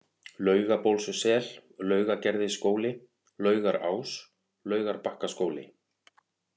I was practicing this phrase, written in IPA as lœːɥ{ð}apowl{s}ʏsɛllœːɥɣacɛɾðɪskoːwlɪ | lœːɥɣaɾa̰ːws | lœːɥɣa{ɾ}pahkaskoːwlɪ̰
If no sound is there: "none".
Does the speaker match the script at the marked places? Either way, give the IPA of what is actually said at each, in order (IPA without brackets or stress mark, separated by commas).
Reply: ɣ, s, ɾ